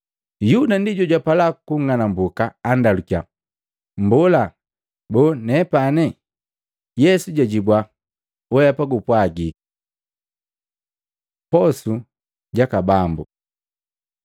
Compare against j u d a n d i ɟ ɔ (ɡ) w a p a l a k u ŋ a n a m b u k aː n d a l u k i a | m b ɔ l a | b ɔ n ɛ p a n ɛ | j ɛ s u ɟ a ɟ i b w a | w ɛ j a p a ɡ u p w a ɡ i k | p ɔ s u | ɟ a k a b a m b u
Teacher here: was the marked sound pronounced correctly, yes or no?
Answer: no